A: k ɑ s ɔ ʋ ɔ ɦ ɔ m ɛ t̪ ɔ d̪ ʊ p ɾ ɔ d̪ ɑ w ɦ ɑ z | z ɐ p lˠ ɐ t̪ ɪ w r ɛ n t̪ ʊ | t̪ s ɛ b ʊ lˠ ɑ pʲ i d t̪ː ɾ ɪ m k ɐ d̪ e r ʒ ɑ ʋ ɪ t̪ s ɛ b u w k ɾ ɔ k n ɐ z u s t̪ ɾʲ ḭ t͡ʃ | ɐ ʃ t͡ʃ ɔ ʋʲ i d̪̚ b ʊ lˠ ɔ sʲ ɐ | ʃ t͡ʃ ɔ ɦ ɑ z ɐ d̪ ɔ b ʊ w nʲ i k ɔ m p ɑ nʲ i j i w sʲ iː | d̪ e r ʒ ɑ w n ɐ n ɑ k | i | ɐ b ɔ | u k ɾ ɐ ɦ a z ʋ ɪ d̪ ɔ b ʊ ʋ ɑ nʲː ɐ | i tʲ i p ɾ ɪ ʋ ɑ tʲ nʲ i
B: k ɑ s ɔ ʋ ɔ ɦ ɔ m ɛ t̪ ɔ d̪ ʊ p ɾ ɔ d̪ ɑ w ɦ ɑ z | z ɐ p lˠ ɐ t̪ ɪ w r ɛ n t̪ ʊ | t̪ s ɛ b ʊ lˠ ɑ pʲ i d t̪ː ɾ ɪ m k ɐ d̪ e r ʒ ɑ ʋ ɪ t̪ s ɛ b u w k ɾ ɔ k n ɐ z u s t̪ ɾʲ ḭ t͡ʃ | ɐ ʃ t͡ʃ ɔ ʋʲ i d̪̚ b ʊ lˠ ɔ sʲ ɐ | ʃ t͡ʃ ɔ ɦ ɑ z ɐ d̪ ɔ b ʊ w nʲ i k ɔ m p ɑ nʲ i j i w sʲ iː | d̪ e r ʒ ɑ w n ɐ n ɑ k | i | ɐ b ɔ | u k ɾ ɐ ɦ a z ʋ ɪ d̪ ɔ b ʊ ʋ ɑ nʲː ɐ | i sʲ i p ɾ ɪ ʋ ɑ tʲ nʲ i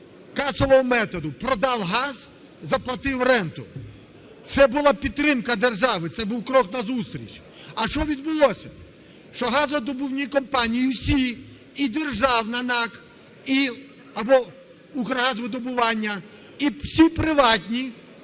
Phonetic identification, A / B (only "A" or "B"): B